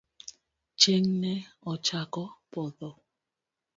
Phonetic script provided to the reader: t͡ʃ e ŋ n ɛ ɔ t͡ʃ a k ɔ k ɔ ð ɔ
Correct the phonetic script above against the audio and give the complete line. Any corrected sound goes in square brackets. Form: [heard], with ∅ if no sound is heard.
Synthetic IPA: t͡ʃ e ŋ n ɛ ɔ t͡ʃ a k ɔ [p] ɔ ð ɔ